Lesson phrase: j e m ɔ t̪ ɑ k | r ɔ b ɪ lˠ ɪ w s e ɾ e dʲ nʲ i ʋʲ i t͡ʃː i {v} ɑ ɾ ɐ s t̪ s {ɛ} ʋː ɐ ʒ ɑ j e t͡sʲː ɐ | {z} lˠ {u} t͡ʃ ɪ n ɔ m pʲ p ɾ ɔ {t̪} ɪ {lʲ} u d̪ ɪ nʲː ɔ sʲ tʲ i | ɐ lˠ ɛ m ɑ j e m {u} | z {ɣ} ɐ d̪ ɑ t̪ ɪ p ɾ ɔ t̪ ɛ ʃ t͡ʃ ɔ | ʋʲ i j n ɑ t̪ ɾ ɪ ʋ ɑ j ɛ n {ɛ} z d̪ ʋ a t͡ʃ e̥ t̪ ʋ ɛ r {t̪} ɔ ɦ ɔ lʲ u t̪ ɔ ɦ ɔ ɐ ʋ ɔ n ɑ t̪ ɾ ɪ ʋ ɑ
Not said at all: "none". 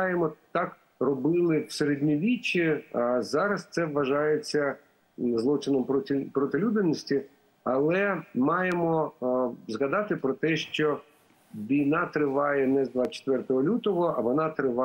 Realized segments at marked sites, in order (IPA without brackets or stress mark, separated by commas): z, ɛ, z, ɔ, t̪, lʲ, ɔ, ɣ, ɛ, t̪